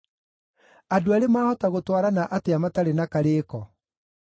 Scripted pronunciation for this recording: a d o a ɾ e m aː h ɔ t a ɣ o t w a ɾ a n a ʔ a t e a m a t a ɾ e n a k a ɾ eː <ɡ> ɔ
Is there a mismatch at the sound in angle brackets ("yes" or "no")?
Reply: yes